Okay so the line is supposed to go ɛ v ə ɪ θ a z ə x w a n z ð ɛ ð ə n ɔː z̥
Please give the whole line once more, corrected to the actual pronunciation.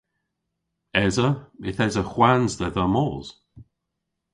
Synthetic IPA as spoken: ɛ z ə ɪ θ ɛ z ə x w a n z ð ɛ ð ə m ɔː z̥